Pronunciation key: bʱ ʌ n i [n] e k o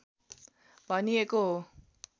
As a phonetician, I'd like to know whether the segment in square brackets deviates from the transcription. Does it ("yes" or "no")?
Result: yes